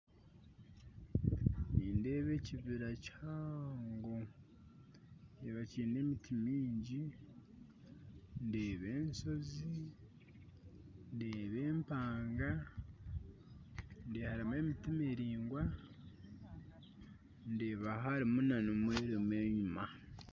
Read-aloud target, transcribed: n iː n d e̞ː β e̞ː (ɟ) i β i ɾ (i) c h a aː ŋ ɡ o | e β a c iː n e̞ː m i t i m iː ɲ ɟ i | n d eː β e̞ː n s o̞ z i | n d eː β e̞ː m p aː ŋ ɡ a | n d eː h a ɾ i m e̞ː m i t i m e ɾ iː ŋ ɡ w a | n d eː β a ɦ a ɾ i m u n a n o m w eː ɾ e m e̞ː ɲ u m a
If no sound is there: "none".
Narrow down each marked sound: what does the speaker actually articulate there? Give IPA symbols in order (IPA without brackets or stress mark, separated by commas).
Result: c, a